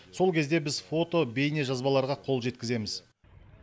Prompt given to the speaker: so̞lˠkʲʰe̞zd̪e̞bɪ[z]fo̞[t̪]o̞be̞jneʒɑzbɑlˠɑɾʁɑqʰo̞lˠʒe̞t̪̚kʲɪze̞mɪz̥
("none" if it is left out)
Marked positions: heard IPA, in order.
z, t̪

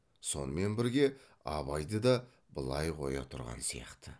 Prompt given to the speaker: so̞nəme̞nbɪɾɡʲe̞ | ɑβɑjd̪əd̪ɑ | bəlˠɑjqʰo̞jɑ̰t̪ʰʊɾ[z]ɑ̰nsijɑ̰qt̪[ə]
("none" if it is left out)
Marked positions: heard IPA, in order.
ʁ, ə

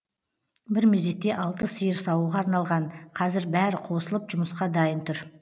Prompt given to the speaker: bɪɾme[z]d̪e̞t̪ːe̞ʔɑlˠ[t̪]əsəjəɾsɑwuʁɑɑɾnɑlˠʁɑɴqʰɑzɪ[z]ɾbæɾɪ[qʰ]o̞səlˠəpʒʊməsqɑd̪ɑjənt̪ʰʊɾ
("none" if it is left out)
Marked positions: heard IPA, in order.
z, t̪, none, qʰ

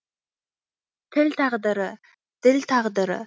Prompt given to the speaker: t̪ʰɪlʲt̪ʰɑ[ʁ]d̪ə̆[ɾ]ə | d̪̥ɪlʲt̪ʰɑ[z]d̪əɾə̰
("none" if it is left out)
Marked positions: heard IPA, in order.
ʁ, ɾ, ʁ

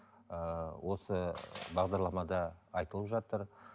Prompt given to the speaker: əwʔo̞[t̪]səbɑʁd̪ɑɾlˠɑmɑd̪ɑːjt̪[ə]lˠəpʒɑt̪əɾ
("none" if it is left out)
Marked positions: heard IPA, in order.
none, ə

